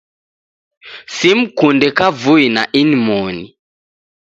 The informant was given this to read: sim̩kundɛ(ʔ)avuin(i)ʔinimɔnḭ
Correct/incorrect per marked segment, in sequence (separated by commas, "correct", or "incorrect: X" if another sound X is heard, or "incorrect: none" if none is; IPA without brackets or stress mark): incorrect: k, incorrect: a